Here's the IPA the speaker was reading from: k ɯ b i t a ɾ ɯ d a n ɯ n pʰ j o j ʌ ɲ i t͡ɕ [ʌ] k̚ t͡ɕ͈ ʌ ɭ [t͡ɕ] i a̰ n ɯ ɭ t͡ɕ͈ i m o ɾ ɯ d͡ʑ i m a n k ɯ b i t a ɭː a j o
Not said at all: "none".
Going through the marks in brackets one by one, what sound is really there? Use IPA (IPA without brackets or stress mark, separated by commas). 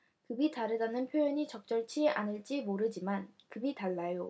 ʌ, t͡ɕʰ